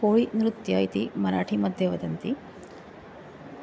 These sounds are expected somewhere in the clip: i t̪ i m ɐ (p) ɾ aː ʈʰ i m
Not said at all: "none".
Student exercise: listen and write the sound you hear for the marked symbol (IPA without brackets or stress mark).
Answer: none